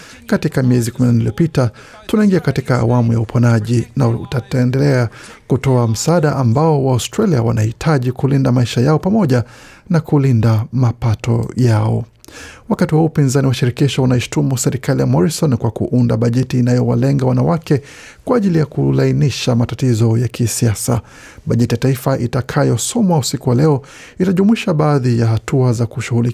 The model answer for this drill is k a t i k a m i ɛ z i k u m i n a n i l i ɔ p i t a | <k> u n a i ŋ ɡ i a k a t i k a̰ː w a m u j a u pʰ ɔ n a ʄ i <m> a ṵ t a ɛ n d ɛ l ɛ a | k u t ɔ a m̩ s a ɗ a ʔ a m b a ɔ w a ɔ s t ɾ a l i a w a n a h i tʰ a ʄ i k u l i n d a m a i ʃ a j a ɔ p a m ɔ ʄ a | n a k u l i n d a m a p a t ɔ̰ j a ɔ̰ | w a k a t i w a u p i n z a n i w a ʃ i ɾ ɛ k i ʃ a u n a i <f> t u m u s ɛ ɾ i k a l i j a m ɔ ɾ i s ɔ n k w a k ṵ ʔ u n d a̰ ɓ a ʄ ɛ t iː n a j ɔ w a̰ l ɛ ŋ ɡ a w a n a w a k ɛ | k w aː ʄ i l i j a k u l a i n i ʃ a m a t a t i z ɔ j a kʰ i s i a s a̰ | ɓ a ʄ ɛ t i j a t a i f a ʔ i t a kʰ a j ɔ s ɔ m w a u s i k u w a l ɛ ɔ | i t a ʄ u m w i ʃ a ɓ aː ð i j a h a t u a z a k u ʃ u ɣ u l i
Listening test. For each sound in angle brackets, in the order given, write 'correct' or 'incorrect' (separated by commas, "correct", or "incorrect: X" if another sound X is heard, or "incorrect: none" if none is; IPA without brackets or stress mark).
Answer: incorrect: t, incorrect: n, incorrect: ʃ